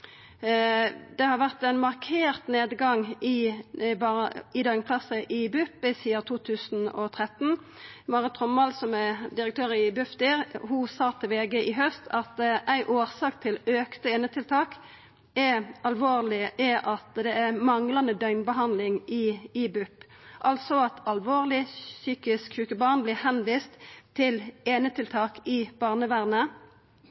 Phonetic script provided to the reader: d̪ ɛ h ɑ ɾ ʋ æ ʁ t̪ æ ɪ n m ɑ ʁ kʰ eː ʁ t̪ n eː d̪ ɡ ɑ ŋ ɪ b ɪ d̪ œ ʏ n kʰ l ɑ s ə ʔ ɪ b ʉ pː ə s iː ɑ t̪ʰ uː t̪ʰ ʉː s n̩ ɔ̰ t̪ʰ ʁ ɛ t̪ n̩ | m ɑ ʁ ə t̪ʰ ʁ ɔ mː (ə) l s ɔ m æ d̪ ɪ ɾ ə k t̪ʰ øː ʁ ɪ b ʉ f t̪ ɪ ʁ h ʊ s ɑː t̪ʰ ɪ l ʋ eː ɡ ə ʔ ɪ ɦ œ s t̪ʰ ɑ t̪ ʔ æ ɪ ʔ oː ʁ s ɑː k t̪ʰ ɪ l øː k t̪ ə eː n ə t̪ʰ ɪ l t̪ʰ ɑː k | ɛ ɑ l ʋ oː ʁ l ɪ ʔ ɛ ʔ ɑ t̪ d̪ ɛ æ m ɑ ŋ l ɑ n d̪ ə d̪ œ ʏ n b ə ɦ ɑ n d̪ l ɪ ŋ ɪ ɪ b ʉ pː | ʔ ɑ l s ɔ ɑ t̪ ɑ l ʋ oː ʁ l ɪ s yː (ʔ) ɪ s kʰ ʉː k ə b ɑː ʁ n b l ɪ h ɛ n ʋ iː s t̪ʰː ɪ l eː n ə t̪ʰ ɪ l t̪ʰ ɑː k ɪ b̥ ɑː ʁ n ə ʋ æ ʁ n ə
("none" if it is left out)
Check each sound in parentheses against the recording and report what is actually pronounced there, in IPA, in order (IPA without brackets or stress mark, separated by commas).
ɑ, k